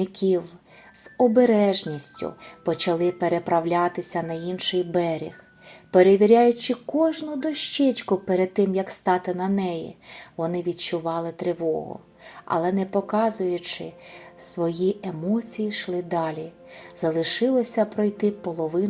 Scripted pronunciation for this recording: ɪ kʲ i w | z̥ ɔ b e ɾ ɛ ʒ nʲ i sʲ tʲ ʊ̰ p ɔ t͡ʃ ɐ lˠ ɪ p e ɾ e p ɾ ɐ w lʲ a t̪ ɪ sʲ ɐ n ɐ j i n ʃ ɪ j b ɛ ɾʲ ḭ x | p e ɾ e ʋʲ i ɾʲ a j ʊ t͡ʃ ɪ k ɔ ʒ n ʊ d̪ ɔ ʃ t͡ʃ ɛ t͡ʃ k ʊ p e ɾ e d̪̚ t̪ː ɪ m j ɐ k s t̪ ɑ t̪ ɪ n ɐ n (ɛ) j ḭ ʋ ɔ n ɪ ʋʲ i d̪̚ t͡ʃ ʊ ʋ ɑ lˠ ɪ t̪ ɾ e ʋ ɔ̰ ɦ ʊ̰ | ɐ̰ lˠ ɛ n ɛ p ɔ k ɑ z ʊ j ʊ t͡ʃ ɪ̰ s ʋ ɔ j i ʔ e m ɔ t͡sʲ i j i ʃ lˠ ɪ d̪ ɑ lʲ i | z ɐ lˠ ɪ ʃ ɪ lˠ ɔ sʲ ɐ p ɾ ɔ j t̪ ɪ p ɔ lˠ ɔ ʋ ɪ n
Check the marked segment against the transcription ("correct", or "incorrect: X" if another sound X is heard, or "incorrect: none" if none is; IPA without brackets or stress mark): correct